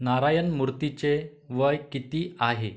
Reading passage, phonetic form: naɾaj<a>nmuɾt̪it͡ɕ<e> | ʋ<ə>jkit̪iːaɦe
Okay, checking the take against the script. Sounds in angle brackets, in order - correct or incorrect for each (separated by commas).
incorrect, correct, correct